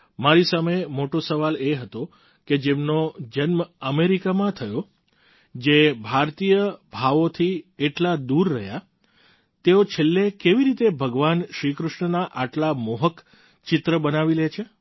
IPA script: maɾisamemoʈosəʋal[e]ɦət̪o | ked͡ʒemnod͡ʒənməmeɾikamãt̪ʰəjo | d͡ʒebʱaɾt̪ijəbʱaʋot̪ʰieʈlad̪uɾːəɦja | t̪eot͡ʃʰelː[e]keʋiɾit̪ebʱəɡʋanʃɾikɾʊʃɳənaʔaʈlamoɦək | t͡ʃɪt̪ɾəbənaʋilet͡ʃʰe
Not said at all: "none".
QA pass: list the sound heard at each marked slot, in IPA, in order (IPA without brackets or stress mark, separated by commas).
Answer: e, e